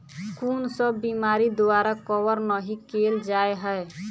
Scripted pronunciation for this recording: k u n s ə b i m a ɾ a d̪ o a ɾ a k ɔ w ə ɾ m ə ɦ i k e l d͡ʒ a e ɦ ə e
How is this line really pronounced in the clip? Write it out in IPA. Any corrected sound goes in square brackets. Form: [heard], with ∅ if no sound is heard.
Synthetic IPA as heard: k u n s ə b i m a ɾ [i] d̪ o a ɾ a k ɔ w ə ɾ [n] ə ɦ i k e l d͡ʒ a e ɦ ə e